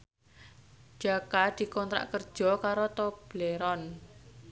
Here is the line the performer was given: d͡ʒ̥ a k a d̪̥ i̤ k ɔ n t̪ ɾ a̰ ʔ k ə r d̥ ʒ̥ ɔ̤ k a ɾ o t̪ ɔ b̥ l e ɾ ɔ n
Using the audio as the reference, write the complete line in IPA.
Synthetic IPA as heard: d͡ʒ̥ a k a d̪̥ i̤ k ɔ n t̪ ɾ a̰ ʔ k ə r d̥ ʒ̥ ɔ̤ k a ɾ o t̪ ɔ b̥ l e ɾ ɔ n